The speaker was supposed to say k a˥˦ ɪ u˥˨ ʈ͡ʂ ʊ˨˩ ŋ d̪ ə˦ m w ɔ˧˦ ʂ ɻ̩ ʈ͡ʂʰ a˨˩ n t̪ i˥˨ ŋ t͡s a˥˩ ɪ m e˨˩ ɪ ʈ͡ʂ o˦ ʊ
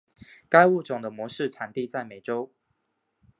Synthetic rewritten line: k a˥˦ ɪ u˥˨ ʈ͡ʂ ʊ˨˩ ŋ d̪ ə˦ m w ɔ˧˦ ʂ ɻ̩ ʈ͡ʂʰ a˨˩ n t̪ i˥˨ t͡s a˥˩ ɪ m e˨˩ ɪ ʈ͡ʂ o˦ ʊ